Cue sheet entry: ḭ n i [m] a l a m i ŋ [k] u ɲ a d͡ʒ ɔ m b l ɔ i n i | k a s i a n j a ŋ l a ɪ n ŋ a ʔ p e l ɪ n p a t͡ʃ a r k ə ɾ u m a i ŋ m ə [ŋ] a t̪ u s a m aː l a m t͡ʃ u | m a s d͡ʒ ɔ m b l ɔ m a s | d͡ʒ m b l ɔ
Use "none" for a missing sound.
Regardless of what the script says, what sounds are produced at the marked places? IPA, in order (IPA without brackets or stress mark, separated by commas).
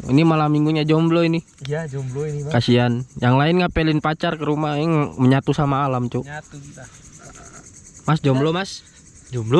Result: m, ɡ, ɲ